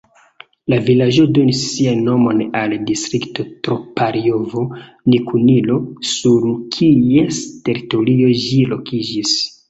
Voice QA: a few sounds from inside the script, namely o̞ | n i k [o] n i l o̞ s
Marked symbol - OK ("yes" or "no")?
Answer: no